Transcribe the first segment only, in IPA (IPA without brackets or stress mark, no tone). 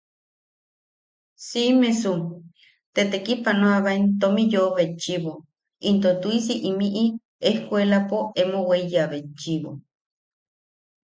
s